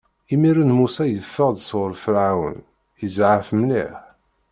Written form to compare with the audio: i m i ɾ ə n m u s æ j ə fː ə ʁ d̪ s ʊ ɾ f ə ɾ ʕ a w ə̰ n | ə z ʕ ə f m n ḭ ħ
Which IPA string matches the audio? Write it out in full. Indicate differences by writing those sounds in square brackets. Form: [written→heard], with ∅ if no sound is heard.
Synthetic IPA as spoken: i m i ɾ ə n m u s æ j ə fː ə ʁ d̪ s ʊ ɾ f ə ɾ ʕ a w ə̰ n | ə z ʕ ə f m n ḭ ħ